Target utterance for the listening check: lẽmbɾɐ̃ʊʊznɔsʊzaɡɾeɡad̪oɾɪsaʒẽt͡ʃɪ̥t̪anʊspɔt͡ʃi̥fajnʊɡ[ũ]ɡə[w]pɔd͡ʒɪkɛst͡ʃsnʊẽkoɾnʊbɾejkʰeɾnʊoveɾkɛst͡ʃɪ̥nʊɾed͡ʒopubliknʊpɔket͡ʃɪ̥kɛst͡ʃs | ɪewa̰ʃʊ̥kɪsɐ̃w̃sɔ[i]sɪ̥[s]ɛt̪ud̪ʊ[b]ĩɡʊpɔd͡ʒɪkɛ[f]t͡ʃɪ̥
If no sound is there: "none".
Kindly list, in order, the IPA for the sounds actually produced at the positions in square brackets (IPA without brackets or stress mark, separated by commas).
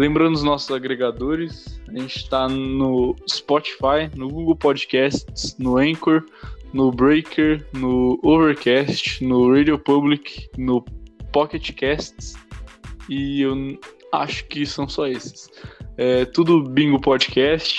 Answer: u, w, e, s, b, s